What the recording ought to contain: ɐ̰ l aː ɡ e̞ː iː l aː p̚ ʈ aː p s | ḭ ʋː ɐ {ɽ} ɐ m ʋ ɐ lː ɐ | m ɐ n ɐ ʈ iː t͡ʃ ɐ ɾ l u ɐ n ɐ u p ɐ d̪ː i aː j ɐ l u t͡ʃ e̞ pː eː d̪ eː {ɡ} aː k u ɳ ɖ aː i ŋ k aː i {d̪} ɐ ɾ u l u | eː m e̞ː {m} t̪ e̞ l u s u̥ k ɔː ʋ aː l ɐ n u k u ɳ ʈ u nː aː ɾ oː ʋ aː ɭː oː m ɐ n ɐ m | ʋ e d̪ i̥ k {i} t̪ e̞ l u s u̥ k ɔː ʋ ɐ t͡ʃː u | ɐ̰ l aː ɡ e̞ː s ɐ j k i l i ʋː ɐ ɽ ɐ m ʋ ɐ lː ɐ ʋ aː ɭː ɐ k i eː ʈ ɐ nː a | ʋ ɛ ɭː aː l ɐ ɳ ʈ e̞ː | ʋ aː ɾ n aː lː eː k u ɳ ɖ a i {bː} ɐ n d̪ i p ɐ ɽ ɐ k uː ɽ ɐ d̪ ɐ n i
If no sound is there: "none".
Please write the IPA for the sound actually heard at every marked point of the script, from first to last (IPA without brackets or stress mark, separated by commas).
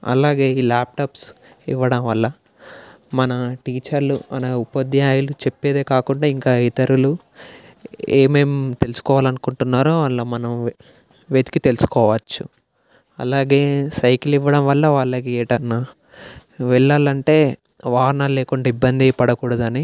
ɽ, k, t̪, m, i, bː